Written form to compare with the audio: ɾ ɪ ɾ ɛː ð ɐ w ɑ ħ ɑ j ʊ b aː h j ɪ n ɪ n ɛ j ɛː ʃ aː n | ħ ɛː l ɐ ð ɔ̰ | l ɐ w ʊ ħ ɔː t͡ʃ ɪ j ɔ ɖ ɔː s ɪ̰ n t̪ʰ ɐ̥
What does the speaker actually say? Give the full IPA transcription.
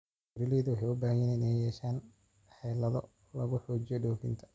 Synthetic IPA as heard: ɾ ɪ l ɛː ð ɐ w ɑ ħ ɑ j ʊ b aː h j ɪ n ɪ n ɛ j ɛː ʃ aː n | ħ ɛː l ɐ ð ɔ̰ | l ɐ ɣ ʊ ħ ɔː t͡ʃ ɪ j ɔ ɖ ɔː f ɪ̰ n t̪ʰ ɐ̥

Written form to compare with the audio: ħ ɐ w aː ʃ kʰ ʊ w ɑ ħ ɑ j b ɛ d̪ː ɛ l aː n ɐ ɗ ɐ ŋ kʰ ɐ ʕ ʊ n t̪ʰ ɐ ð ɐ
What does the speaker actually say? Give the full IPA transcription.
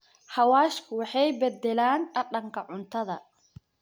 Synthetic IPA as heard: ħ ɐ w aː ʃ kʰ ʊ w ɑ ħ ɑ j b ɛ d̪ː ɛ l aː n ɐ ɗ ɐ ŋ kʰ ɐ ʕ ʊ n t̪ʰ ɐ ð ɐ

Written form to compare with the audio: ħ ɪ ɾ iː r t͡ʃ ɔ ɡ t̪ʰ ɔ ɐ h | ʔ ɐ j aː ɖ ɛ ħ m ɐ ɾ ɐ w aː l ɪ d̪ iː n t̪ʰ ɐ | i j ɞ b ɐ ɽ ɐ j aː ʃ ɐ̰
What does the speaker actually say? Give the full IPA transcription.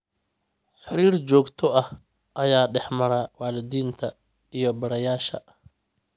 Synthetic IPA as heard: ħ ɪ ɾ iː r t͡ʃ ɔː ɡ t̪ʰ ɔ ɐ h | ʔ ɐ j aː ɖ ɛ ħ m ɐ ɾ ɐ w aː l ɪ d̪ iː n t̪ʰ ɐ | i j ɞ b ɐ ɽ ɐ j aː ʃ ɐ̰

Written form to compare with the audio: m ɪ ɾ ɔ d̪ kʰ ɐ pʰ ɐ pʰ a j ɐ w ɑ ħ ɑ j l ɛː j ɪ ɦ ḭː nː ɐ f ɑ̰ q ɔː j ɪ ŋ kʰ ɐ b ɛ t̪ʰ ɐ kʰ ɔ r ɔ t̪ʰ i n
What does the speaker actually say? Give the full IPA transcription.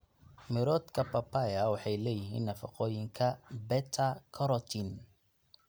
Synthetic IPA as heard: m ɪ ɾ ɔ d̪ kʰ ɐ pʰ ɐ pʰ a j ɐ w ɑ ħ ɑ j l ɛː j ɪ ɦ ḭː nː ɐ f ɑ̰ q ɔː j ɪ ŋ kʰ ɐ b ɛ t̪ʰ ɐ kʰ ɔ ɾ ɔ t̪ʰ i n

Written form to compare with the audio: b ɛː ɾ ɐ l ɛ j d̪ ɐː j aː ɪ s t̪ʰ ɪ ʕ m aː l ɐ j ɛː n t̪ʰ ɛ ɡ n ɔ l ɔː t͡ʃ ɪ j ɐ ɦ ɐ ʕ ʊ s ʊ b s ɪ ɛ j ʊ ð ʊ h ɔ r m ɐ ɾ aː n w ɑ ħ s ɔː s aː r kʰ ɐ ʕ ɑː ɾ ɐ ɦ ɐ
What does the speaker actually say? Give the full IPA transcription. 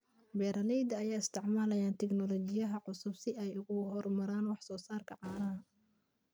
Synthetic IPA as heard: b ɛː ɾ ɐ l ɛ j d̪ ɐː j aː ɪ s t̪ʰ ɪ ʕ m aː l ɐ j aː n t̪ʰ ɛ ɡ n ɔ l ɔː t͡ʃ ɪ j ɐ ɦ ɐ ʕ ʊ s ʊ b s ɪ ɛ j ʊ ɣ ʊ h ɔ r m ɐ ɾ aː n w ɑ ħ s ɔː s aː r kʰ ɐ ʕ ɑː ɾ ɐ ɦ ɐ

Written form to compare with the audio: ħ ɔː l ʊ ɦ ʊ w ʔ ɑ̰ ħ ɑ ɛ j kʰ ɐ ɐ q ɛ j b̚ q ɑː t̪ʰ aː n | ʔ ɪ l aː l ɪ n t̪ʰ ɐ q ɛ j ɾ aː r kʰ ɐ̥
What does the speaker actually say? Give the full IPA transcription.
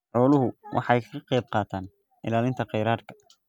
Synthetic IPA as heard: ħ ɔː l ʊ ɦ ʊ w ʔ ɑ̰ ħ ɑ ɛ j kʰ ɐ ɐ q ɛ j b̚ q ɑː t̪ʰ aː n | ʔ ɪ l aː l ɪ n t̪ʰ ɐ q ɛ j ɾ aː r kʰ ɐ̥

